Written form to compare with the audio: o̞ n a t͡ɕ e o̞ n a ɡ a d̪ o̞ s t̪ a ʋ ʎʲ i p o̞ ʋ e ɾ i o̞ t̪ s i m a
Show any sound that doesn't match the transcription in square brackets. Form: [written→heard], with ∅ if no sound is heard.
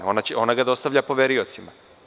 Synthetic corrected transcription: o̞ n a t͡ɕ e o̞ n a ɡ a d̪ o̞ s t̪ a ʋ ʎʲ [i→a] p o̞ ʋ e ɾ i o̞ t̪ s i m a